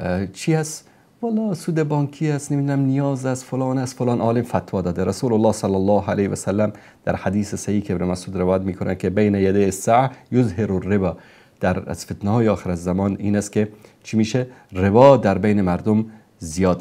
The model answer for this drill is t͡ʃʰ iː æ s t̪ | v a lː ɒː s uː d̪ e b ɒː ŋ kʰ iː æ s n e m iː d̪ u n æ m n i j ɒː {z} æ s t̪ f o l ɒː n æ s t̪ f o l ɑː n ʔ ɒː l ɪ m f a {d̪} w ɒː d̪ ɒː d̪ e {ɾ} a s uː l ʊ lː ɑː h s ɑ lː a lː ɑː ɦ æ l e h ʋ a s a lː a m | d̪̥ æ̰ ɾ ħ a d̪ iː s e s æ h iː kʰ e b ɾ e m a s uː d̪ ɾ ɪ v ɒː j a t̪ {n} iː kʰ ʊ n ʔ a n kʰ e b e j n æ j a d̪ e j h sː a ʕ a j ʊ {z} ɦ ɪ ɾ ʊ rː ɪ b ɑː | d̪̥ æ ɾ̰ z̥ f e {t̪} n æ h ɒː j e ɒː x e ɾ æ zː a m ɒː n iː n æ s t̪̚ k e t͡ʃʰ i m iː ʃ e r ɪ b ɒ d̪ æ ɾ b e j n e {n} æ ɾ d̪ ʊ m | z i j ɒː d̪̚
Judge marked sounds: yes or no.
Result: yes, no, yes, no, yes, yes, no

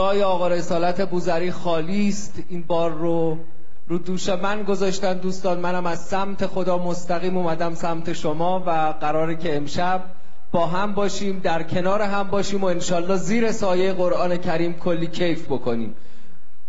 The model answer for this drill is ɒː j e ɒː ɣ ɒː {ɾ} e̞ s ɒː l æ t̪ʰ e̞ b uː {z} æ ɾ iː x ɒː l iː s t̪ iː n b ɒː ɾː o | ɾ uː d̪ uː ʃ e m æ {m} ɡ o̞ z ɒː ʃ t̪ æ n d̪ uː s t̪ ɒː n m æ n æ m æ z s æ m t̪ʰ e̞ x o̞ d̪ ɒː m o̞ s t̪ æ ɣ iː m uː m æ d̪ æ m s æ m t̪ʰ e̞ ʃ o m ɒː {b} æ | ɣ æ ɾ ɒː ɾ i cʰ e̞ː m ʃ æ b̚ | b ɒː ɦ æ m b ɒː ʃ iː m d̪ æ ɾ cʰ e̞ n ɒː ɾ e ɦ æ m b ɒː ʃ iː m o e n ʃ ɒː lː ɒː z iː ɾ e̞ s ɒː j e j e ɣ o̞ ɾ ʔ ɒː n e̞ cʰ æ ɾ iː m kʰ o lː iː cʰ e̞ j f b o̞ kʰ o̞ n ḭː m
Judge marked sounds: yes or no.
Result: yes, yes, no, no

